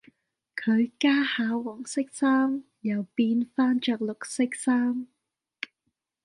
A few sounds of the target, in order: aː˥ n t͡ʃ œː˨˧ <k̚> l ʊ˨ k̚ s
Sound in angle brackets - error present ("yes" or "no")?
no